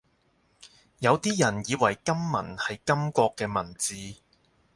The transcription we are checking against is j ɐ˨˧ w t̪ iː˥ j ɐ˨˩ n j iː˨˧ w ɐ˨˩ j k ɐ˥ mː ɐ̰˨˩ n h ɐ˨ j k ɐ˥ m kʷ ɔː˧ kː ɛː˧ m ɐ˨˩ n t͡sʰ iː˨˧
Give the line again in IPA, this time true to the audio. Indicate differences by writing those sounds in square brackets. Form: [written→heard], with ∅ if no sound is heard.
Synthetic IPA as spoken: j ɐ˨˧ w t̪ iː˥ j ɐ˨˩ n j iː˨˧ w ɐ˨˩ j k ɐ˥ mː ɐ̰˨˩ n h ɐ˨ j k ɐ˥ m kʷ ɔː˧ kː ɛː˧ m ɐ˨˩ n [t͡sʰ→t͡s] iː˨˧